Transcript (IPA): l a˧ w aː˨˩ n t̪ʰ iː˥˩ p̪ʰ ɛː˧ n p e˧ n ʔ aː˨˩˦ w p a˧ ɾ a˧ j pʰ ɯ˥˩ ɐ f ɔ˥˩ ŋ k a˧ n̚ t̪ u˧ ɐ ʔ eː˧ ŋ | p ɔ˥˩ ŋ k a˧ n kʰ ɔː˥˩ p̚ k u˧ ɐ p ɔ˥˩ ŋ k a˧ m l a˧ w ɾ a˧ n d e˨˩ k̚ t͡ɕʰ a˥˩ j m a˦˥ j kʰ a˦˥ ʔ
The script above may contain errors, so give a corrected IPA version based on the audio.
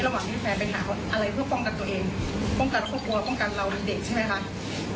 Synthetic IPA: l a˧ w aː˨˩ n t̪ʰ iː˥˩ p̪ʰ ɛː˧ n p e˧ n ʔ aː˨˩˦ w ʔ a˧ ɾ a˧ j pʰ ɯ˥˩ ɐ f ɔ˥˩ ŋ k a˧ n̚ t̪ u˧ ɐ ʔ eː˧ ŋ | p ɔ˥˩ ŋ k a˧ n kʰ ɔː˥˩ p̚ k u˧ ɐ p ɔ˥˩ ŋ k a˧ n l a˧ w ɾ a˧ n d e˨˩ k̚ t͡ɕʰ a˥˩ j m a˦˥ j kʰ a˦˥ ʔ